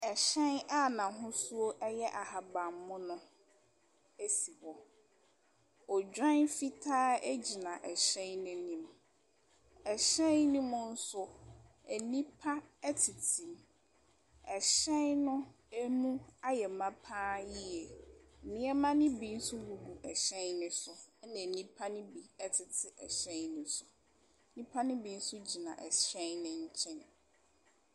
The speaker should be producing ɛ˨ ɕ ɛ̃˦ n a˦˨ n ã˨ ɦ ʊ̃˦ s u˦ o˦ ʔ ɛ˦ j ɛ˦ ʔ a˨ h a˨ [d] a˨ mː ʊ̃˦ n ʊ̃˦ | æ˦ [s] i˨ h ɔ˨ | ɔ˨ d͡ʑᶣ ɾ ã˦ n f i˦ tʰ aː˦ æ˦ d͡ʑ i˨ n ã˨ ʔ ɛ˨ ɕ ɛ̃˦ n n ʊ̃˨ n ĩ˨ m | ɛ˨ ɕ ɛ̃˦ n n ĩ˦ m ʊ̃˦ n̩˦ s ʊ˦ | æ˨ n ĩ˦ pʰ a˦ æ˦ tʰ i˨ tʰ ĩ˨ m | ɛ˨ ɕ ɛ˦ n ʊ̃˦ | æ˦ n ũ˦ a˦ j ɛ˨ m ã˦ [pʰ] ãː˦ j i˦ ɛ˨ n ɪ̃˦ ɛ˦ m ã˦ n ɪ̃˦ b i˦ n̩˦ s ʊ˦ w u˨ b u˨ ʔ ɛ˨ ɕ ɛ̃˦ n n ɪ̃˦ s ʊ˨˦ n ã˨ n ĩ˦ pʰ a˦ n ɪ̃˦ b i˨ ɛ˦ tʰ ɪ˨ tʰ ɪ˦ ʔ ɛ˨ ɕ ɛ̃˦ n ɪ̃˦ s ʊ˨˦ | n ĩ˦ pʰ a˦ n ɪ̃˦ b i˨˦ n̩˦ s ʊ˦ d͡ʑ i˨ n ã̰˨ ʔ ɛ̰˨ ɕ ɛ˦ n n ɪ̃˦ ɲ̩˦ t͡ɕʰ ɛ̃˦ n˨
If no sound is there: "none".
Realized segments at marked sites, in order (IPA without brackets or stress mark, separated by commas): b, s, pʰ